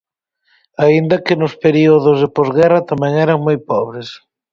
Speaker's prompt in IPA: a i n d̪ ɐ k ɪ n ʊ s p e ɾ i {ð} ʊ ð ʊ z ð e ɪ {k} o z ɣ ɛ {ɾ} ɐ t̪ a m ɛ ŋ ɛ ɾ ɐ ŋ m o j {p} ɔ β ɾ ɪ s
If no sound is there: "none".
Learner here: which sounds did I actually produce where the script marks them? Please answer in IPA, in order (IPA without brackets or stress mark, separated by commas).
none, p, r, p